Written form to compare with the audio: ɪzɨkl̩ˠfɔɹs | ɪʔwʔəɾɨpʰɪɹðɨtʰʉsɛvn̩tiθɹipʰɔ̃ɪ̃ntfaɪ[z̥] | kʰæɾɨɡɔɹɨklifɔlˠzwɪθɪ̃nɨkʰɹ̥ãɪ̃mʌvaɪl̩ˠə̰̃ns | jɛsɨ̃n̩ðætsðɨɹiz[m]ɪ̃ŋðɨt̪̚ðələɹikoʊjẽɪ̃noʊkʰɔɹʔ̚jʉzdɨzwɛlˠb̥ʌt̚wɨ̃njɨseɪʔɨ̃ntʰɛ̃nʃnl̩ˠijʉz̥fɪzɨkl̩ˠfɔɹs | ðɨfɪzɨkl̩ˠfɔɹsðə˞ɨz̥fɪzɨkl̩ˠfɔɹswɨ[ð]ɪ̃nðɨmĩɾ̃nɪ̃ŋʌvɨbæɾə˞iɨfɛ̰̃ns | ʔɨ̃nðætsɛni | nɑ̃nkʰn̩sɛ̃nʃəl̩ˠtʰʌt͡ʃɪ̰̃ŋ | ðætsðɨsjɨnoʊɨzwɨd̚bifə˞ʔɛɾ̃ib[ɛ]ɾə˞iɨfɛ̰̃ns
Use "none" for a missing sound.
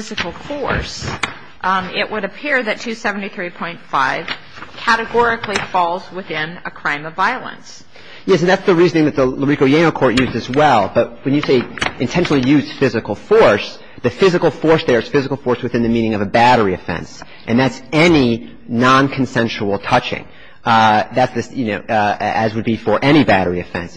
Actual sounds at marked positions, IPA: v̥, n, θ, æ

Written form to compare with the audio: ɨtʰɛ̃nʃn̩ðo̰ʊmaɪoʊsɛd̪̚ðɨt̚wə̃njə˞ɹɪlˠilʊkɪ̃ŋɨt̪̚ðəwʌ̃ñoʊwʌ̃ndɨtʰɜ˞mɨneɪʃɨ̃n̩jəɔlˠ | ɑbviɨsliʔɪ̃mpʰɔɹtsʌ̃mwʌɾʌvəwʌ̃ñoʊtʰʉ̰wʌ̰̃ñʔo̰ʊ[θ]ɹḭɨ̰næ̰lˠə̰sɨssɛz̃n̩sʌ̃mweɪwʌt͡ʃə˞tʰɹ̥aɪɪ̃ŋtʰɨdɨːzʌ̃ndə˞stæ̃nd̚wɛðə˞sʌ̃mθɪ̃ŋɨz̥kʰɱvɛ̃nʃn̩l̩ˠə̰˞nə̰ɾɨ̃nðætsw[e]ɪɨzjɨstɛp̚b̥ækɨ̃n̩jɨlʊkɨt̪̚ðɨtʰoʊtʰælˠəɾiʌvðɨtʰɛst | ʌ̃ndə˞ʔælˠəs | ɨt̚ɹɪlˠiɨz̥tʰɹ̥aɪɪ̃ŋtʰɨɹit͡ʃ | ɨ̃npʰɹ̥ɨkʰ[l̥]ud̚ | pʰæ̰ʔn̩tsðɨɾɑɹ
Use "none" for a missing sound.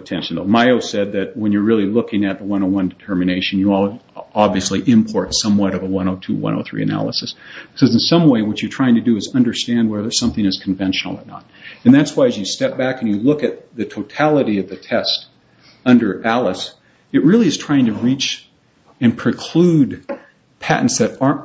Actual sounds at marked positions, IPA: θ, a, l̥

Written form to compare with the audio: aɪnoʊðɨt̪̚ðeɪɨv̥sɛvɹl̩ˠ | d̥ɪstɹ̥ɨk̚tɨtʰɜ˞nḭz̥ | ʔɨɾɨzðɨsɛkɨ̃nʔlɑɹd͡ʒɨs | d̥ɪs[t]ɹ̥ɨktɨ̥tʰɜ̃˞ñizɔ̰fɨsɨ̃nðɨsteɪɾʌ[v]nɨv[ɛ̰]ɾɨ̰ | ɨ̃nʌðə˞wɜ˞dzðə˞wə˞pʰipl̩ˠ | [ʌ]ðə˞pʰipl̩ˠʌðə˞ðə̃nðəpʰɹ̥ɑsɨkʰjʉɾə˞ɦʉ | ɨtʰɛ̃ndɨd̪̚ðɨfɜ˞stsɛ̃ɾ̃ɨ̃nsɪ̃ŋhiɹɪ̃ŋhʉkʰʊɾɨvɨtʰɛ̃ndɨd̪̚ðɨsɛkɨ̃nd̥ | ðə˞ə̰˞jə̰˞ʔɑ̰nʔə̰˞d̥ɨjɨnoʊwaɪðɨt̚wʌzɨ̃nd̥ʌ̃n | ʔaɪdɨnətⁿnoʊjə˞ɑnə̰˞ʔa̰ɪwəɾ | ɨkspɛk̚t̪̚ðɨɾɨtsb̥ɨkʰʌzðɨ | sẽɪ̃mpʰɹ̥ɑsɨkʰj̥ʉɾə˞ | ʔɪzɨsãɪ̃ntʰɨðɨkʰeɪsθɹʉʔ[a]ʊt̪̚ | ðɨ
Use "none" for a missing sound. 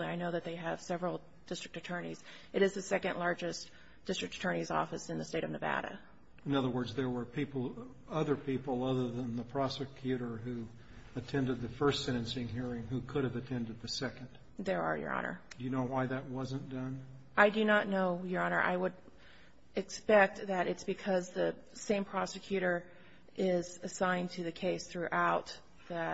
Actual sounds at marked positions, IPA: t, v, æ̰, ʌ, a

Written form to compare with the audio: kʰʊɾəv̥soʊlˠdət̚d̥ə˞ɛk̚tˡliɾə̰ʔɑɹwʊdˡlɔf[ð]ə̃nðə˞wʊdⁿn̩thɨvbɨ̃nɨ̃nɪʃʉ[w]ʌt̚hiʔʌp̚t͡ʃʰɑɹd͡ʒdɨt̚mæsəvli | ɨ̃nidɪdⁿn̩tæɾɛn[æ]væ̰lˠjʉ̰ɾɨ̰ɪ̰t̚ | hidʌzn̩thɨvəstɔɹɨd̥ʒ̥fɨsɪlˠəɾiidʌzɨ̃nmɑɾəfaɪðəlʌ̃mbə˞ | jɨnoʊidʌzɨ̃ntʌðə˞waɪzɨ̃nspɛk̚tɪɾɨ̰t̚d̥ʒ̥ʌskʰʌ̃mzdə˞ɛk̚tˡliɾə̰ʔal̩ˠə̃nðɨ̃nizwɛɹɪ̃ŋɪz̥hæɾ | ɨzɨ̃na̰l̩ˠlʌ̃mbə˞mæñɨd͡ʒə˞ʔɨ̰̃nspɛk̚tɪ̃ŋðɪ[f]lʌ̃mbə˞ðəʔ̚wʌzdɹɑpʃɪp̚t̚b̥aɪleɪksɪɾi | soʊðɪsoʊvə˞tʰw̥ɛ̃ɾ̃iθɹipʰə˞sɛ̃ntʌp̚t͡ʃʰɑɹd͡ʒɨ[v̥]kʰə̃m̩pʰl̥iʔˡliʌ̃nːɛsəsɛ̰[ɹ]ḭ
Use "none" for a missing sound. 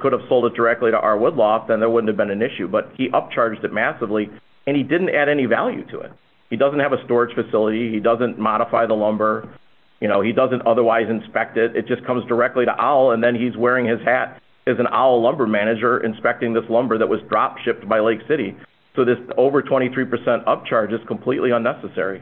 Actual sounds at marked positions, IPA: ð, b, i, s, z̥, ɹ

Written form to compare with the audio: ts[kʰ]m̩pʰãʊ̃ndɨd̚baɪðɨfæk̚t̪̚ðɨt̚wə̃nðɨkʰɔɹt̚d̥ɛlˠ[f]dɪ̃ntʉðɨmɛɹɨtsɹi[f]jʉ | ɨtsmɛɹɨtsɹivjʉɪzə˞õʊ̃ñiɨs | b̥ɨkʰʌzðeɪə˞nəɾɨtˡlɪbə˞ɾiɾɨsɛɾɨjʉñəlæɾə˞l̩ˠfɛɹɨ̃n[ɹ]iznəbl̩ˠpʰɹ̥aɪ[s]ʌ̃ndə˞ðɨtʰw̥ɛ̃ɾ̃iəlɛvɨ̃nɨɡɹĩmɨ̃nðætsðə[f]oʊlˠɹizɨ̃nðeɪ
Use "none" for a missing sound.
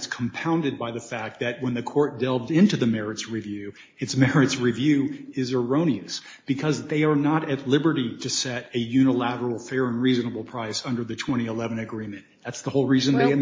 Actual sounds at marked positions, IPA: kʰ, v, v, ɹ, s, h

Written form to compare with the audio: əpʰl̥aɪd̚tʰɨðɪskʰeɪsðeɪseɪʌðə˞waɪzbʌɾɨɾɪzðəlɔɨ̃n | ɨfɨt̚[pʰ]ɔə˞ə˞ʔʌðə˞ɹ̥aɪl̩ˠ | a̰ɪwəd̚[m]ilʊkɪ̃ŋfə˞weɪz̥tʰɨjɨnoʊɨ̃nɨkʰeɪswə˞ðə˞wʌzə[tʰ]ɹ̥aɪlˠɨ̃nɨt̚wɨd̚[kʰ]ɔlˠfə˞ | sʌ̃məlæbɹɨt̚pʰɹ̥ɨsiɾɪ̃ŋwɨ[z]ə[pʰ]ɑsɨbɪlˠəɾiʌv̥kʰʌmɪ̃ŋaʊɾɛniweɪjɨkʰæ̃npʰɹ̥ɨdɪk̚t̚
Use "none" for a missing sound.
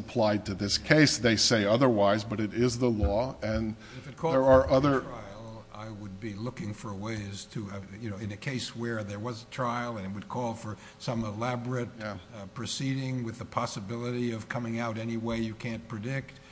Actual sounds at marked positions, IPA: kʰ, b, tʰ, kʰ, ð, pʰ

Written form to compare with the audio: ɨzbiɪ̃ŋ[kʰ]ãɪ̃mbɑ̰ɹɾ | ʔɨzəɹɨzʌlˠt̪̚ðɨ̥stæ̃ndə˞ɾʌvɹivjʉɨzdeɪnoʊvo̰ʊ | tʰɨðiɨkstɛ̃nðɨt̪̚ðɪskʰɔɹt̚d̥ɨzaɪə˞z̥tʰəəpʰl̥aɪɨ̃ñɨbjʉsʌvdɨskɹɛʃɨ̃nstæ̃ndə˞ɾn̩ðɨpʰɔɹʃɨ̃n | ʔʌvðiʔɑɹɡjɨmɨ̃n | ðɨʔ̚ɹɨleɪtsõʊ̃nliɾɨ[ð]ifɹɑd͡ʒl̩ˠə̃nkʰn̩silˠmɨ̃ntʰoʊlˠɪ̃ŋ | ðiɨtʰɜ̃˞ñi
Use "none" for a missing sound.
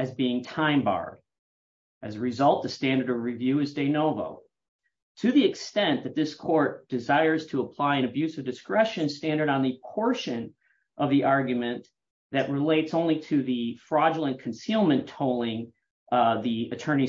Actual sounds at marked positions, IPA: tʰ, ð

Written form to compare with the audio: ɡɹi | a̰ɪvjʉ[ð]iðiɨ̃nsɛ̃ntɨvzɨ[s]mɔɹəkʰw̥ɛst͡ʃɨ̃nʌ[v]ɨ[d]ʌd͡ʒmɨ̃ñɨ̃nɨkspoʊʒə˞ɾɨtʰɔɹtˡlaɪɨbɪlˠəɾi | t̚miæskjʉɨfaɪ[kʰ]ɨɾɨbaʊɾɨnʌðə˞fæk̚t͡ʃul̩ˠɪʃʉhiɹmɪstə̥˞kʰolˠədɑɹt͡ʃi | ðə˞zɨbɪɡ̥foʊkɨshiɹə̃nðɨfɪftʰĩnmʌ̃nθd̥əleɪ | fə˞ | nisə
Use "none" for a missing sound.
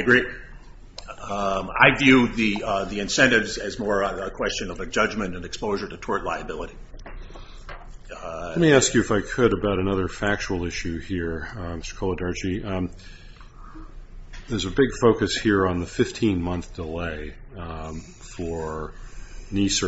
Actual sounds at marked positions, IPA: ð, z, v, d͡ʒ, kʰ

